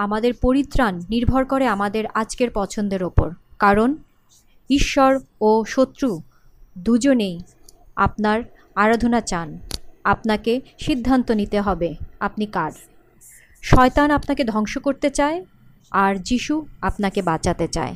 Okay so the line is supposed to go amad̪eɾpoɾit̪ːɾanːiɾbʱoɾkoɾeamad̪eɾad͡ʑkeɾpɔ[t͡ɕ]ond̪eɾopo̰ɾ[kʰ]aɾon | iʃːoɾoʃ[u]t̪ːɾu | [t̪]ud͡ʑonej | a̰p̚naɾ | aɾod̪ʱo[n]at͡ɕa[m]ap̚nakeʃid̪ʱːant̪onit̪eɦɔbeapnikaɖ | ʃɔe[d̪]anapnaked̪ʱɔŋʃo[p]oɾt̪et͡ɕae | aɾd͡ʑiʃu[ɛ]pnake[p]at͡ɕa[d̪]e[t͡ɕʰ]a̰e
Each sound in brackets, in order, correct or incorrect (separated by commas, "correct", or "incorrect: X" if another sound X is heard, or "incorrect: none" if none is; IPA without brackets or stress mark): incorrect: t͡ɕʰ, incorrect: k, incorrect: o, incorrect: d̪, correct, incorrect: n, incorrect: t̪, incorrect: k, incorrect: a, incorrect: b, incorrect: t̪, incorrect: t͡ɕ